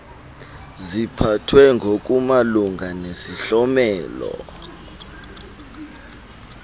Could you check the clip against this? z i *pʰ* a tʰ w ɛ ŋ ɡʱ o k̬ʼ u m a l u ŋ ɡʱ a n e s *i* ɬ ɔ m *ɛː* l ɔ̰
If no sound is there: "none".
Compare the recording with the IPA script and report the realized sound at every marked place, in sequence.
pʰ, i, ɛː

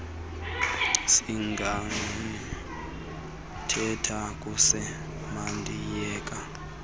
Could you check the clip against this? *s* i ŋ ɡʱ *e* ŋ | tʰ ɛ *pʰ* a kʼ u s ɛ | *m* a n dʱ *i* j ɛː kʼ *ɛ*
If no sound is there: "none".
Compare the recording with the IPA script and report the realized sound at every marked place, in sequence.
s, a, tʰ, m, i, a

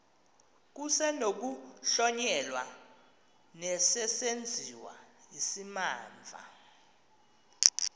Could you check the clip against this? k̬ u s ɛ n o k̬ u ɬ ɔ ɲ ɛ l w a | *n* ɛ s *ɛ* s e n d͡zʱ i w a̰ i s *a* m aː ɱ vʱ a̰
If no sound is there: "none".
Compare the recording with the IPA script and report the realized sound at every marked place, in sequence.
n, ɛ, i

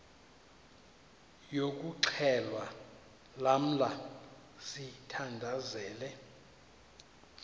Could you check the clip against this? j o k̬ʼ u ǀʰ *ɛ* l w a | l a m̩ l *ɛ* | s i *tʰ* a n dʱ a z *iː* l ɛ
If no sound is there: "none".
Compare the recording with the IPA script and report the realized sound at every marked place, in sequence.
ɛ, a, tʰ, ɛː

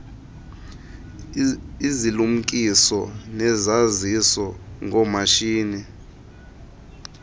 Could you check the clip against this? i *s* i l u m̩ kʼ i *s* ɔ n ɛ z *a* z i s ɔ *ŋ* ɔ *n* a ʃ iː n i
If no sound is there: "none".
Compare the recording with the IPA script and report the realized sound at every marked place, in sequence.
z, s, a, ŋ, m

